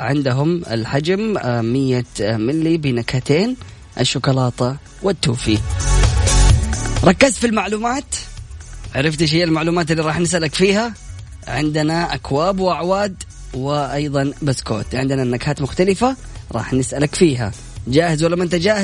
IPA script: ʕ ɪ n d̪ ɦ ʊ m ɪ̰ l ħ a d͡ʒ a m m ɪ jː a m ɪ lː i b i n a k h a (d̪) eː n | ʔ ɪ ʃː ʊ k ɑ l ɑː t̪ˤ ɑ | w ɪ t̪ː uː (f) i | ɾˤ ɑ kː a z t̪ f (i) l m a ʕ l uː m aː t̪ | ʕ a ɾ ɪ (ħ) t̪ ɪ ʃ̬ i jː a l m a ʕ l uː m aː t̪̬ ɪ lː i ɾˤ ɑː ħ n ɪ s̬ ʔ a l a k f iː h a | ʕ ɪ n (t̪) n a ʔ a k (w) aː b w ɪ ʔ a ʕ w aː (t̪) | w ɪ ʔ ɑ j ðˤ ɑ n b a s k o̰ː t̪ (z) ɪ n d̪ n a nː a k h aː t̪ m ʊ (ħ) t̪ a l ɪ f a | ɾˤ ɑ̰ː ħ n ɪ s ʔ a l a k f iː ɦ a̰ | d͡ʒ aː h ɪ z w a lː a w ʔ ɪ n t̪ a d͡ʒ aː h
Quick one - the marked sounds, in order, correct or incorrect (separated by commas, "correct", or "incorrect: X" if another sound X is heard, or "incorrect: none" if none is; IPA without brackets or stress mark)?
incorrect: t̪, correct, correct, incorrect: f, incorrect: d̪, correct, incorrect: d̪, incorrect: ʕ, incorrect: x